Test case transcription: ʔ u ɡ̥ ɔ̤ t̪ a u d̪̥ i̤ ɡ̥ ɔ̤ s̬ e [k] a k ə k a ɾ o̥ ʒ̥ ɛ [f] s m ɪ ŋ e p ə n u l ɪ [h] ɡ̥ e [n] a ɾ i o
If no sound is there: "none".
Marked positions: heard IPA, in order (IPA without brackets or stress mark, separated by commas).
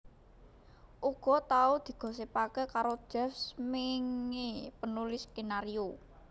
p, f, s, n